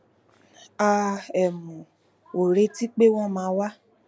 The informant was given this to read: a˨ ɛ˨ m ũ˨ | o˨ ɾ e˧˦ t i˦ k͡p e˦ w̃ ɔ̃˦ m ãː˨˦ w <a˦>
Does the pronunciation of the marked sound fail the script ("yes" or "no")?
no